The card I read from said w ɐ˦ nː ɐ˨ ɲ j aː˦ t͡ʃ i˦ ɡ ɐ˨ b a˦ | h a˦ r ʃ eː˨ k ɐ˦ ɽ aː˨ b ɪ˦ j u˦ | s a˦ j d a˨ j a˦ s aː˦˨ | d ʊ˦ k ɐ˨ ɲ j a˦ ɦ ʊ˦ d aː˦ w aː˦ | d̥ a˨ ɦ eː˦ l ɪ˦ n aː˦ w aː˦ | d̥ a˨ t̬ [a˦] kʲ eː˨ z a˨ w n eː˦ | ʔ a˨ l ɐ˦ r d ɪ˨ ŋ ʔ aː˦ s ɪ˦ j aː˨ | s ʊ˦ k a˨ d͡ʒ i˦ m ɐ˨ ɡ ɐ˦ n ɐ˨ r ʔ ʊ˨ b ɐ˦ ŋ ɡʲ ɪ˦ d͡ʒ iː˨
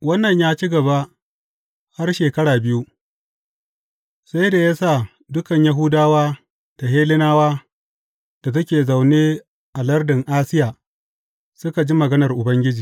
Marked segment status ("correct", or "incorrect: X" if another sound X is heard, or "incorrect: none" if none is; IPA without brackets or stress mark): incorrect: ɐ˦